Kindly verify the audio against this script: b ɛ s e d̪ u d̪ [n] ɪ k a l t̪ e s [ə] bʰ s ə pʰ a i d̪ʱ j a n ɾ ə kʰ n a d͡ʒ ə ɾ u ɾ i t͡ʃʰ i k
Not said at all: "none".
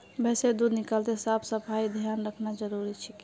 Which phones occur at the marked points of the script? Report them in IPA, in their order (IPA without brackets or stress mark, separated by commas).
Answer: n, a